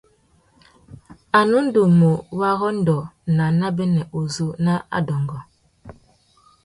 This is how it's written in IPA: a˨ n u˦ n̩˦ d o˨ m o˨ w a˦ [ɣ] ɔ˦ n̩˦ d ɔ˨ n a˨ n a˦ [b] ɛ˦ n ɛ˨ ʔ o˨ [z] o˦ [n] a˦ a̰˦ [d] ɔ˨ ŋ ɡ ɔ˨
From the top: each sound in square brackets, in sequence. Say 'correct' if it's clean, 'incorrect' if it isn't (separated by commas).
correct, correct, correct, correct, correct